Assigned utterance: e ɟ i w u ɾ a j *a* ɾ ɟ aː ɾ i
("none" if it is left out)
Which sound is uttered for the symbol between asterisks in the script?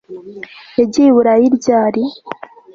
i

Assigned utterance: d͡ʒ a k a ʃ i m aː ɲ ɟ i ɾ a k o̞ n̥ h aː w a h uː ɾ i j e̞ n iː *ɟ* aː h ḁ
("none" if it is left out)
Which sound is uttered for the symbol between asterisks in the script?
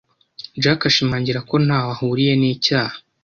c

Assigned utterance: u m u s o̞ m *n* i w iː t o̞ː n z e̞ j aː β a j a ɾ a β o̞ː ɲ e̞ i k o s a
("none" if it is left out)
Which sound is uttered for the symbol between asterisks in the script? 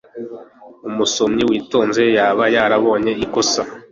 ɲ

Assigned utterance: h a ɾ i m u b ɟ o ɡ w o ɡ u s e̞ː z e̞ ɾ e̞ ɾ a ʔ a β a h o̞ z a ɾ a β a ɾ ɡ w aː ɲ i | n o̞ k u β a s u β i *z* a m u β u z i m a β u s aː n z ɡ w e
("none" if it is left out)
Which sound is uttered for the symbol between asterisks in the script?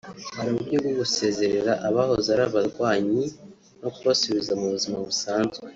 z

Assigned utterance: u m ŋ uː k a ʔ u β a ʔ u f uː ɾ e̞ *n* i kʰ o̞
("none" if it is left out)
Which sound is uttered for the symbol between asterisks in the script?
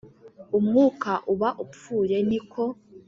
n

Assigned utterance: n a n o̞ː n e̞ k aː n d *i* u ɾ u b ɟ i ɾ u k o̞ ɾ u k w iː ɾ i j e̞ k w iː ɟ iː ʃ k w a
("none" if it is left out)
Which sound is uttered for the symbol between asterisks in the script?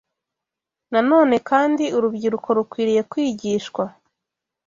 i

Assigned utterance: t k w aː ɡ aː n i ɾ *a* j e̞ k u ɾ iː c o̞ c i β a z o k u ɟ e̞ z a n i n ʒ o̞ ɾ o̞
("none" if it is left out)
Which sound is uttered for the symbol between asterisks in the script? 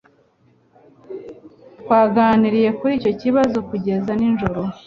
i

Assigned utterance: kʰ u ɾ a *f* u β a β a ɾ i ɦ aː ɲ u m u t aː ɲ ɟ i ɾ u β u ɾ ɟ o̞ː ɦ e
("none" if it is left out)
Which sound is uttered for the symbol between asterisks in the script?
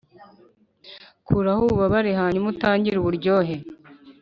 h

